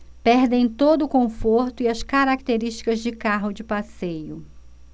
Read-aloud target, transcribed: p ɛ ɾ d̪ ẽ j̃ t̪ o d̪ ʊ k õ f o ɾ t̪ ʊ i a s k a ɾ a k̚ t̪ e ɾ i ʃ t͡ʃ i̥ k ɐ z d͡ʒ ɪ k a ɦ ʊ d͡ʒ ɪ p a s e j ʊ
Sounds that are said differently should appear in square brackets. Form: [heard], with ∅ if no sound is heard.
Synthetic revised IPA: p ɛ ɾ d̪ ẽ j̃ t̪ o d̪ ʊ k õ f o ɾ t̪ ʊ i [ɐ] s k a ɾ a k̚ t̪ e ɾ i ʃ t͡ʃ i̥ k ɐ z d͡ʒ ɪ k a ɦ ʊ d͡ʒ ɪ p a s e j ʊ